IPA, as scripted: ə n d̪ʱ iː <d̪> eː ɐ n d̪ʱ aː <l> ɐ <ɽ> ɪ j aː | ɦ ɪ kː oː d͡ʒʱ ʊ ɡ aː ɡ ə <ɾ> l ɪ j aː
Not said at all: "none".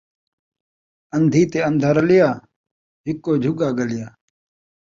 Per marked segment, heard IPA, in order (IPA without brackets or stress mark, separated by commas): t̪, ɾ, l, none